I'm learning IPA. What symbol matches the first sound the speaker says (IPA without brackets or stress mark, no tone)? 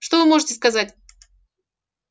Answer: ʂ